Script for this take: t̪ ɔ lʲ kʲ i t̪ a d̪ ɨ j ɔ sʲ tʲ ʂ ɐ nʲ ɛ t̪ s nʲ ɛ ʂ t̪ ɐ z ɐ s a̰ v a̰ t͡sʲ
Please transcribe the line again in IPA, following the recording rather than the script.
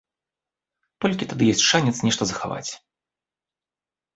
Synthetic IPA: t̪ ɔ lʲ kʲ i t̪ a d̪ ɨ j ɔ sʲ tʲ ʂ a nʲ ɛ t̪ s nʲ ɛ ʂ t̪ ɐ z ɐ x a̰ v a̰ t͡sʲ